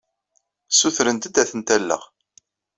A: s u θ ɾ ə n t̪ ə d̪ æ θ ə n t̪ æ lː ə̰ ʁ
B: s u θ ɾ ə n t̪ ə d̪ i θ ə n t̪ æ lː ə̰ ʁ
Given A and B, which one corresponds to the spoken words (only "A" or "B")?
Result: A